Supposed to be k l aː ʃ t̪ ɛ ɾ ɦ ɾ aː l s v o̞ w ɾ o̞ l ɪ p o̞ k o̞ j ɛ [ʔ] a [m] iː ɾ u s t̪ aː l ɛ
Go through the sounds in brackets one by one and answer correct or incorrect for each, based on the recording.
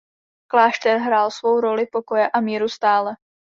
correct, correct

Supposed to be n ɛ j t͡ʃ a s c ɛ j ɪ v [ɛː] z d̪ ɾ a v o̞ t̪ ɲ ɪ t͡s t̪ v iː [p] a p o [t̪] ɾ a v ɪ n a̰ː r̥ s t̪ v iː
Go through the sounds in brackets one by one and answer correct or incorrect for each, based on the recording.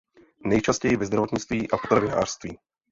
incorrect: ɛ, incorrect: ʔ, correct

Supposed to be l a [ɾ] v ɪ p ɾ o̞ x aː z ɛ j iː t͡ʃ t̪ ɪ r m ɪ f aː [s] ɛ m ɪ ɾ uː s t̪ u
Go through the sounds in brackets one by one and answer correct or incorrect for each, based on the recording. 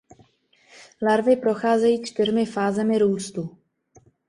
correct, incorrect: z

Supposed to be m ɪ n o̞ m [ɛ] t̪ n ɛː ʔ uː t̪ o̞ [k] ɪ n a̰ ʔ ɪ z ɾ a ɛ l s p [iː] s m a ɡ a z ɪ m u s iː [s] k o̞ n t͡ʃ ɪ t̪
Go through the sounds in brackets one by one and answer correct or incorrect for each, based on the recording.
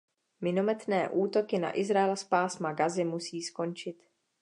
correct, correct, incorrect: aː, correct

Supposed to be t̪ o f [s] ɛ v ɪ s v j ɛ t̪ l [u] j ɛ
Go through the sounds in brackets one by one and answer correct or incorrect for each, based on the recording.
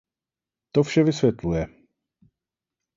incorrect: ʃ, correct

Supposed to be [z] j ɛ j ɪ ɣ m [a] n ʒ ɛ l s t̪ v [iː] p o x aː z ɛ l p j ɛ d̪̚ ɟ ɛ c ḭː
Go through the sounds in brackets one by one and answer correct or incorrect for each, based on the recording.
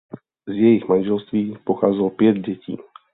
correct, correct, correct

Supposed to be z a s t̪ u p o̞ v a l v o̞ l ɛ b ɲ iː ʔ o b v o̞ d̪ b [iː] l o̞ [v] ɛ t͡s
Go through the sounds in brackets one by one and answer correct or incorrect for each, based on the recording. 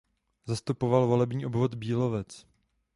correct, correct

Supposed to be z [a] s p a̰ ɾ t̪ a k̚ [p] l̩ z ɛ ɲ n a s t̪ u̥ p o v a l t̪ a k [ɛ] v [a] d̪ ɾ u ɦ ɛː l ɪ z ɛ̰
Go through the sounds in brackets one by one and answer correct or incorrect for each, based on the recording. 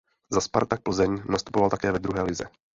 correct, correct, incorrect: ɛː, incorrect: ɛ

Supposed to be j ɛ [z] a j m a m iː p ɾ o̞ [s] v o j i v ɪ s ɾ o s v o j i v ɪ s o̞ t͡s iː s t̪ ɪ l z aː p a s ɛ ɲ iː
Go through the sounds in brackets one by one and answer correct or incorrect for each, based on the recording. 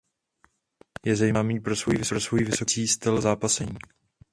correct, correct

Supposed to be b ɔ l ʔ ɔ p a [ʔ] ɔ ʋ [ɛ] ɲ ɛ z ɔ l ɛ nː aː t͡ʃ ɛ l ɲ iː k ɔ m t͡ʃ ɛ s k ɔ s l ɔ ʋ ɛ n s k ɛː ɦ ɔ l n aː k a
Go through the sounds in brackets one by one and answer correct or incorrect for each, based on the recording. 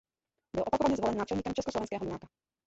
incorrect: k, incorrect: a

